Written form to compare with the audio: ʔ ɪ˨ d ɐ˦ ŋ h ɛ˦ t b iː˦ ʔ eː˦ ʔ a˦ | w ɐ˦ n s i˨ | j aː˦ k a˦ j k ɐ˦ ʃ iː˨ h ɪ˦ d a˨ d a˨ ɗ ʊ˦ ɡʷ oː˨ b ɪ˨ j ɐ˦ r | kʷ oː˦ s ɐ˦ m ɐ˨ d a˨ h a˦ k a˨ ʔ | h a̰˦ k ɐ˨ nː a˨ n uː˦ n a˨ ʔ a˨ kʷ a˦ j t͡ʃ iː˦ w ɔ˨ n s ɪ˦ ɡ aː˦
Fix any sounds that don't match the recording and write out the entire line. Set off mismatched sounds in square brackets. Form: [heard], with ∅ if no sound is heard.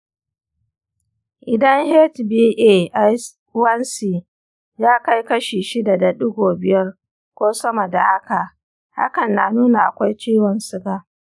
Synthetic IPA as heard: ʔ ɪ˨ d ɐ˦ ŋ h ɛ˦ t b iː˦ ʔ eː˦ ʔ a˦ | w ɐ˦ n s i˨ | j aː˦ k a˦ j k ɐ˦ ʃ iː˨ [ʃ] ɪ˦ d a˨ d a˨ ɗ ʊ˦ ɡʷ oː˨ b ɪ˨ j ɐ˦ r | kʷ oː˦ s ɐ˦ m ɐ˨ d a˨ h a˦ k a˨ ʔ | h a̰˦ k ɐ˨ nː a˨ n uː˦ n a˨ ʔ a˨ kʷ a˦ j t͡ʃ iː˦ w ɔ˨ n s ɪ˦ ɡ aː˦